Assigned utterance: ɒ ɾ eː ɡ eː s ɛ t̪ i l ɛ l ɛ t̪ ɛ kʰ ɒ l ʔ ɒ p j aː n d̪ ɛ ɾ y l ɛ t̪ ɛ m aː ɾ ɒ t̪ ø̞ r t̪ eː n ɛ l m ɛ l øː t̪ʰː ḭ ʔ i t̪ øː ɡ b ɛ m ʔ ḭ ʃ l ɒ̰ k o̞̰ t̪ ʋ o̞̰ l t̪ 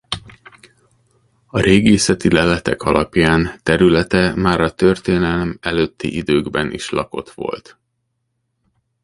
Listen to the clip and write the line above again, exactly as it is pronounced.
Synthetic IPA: ɒ ɾ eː ɡ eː s ɛ t̪ i l ɛ l ɛ t̪ ɛ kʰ ɒ l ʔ ɒ p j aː n t̪ ɛ ɾ y l ɛ t̪ ɛ m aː ɾ ɒ t̪ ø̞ r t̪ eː n ɛ l m ɛ l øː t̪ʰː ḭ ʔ i d̪ øː ɡ b ɛ n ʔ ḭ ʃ l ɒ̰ k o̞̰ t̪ ʋ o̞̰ l t̪